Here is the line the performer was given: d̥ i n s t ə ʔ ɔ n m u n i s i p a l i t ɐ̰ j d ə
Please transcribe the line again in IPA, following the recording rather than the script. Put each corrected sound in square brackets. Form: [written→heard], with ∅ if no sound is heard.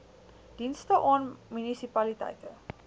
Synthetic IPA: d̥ i n s t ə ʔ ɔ n m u n i s i p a l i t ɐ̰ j [d→t] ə